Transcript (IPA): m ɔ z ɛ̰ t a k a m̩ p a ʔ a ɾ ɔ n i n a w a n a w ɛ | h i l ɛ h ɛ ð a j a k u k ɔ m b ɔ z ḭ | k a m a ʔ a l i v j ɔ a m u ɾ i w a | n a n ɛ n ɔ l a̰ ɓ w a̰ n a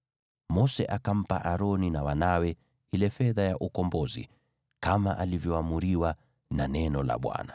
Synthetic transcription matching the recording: m ɔ s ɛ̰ ʔ a k a m̩ p a ʔ a ɾ ɔ n i n a w a n a w ɛ | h i l ɛ f ɛ ð a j a ʔ u k ɔ m b ɔ z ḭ | k a m a ʔ a l i v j ɔ a m u ɾ i w a | n a n ɛ n ɔ l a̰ ɓ w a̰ n a

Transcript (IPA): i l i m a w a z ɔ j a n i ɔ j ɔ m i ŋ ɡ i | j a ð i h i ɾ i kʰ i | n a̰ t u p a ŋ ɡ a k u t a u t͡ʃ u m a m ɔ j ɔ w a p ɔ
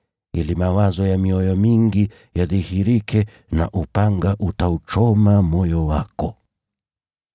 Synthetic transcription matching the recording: i l i m a w a z ɔ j a m i ɔ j ɔ m i ŋ ɡ i | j a ð i h i ɾ i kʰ ɛ | n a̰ ʔ u p a ŋ ɡ a ʔ u t a u t͡ʃ ɔ m a m ɔ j ɔ w a k ɔ

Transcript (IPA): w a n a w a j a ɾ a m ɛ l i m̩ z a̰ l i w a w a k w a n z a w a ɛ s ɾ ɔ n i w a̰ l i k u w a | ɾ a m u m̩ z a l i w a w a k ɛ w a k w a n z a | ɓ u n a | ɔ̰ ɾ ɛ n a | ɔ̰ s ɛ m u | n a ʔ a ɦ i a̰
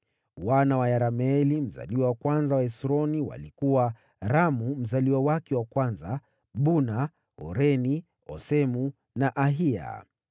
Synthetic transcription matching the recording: w a n a w a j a ɾ a m ɛ l i m̩ z a̰ l i w a w a k w a n z a w a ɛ s ɾ ɔ n i w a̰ l i k u w a | ɾ a m u m̩ z a l i w a w a k ɛ w a k w a n z a | ɓ u n a | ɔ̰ ɾ ɛ n i | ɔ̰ s ɛ m u | n a ʔ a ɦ i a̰

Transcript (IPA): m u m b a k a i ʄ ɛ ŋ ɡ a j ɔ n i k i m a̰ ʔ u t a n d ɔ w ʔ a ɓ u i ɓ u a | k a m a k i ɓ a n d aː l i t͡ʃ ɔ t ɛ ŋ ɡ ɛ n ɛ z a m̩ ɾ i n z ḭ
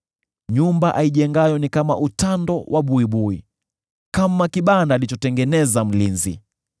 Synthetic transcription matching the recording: ɲ u m b a ʔ a i ʄ ɛ ŋ ɡ a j ɔ n i k a m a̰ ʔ u t a n d ɔ w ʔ a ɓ u i ɓ u i | k a m a k i ɓ a n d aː l i t͡ʃ ɔ t ɛ ŋ ɡ ɛ n ɛ z a m̩ l i n z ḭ

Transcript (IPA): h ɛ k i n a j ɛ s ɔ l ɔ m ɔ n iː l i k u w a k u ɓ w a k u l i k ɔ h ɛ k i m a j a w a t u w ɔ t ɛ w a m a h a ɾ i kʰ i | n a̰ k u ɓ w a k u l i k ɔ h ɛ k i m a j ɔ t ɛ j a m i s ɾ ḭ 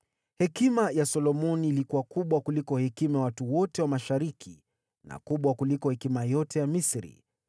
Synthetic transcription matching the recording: h ɛ k i m a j a s ɔ l ɔ m ɔ n iː l i k u w a k u ɓ w a k u l i k ɔ h ɛ k i m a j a w a t u w ɔ t ɛ w a m a ʃ a ɾ i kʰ i | n a̰ k u ɓ w a k u l i k ɔ h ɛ k i m a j ɔ t ɛ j a m i s ɾ ḭ

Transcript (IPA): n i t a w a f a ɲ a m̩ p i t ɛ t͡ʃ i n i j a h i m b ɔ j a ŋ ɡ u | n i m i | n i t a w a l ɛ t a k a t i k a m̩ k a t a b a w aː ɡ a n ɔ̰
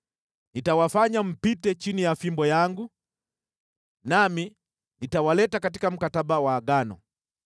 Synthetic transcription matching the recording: n i t a w a f a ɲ a m̩ p i t ɛ t͡ʃ i n i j a f i m b ɔ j a ŋ ɡ u | n a m i | n i t a w a l ɛ t a k a t i k a m̩ k a t a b a w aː ɡ a n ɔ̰

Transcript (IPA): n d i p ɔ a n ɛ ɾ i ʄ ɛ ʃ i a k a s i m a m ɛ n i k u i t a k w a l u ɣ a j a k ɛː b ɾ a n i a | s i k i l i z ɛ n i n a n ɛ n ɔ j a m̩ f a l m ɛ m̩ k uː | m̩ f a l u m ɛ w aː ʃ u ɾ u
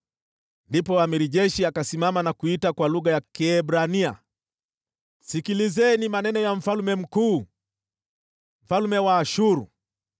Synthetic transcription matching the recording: n d i p ɔ a m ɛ ɾ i ʄ ɛ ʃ i a k a s i m a m a n a k u i t a k w a l u ɣ a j a k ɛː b ɾ a n i a | s i k i l i z ɛ n i m a n ɛ n ɔ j a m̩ f a l m ɛ m̩ k uː | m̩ f a l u m ɛ w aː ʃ u ɾ u

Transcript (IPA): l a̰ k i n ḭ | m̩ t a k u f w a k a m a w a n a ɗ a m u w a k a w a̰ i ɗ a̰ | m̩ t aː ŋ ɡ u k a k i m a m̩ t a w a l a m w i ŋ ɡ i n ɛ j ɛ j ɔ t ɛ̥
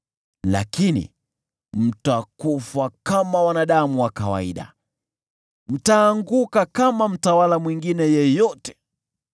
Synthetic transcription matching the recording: l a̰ k i n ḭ | m̩ t a k u f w a k a m a w a n a ɗ a m u w a k a w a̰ i ɗ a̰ | m̩ t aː ŋ ɡ u k a k a m a m̩ t a w a l a m w i ŋ ɡ i n ɛ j ɛ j ɔ t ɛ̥

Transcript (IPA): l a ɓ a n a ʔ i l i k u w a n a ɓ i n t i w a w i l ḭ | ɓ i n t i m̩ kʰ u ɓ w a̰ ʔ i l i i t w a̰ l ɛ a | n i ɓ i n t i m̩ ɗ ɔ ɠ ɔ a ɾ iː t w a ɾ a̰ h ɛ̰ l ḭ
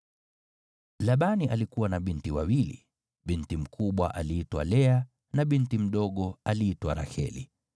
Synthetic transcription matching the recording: l a ɓ a n i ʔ a l i k u w a n a ɓ i n t i w a w i l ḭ | ɓ i n t i m̩ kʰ u ɓ w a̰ ʔ a l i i t w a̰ l ɛ a | n a ɓ i n t i m̩ ɗ ɔ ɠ ɔ a l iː t w a ɾ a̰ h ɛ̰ l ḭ

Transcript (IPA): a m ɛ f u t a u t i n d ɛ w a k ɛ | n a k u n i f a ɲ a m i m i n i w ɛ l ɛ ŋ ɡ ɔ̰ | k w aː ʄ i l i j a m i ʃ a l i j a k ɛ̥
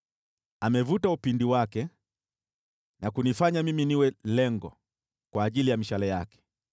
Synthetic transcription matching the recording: a m ɛ v u t a u p i n d i w a k ɛ | n a k u n i f a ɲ a m i m i n i w ɛ l ɛ ŋ ɡ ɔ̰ | k w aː ʄ i l i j a m i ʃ a l ɛ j a k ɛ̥

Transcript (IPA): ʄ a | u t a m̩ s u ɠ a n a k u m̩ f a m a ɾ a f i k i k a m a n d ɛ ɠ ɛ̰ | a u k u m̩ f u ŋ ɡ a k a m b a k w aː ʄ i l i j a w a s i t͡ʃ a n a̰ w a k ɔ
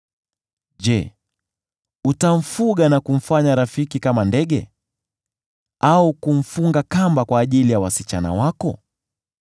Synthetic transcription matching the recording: ʄ ɛ | u t a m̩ f u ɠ a n a k u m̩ f a ɲ a ɾ a f i k i k a m a n d ɛ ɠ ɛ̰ | a u k u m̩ f u ŋ ɡ a k a m b a k w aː ʄ i l i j a w a s i t͡ʃ a n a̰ w a k ɔ

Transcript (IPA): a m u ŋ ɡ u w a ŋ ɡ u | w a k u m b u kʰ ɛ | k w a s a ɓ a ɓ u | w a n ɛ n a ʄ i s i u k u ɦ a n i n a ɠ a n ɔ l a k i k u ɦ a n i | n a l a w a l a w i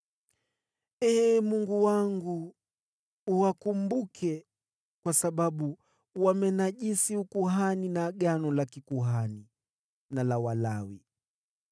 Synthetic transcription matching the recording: ɛ m u ŋ ɡ u w a ŋ ɡ u | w a k u m b u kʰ ɛ | k w a s a ɓ a ɓ u | w a m ɛ n a ʄ i s i u k u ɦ a n i n a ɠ a n ɔ l a k i k u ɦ a n i | n a l a w a l a w i

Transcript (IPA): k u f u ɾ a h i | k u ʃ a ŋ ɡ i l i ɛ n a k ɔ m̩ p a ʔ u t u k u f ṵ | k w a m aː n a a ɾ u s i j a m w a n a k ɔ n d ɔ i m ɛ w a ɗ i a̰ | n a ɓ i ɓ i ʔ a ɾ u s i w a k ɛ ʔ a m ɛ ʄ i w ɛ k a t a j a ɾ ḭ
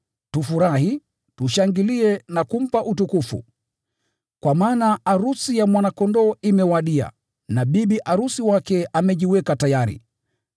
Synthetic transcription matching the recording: t u f u ɾ a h i | t u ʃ a ŋ ɡ i l i ɛ n a k u m̩ p a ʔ u t u k u f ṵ | k w a m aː n a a ɾ u s i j a m w a n a k ɔ n d ɔ i m ɛ w a ɗ i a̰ | n a ɓ i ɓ i ʔ a ɾ u s i w a k ɛ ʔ a m ɛ ʄ i w ɛ k a t a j a ɾ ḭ

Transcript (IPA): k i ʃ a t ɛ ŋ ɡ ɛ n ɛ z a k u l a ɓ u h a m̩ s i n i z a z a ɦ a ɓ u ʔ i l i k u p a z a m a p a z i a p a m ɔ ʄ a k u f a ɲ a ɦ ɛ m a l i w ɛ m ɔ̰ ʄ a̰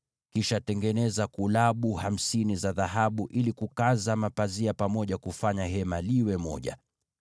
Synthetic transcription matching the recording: k i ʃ a t ɛ ŋ ɡ ɛ n ɛ z a k u l a ɓ u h a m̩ s i n i z a ð a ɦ a ɓ u ʔ i l i k u k a z a m a p a z i a p a m ɔ ʄ a k u f a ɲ a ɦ ɛ m a l i w ɛ m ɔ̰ ʄ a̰

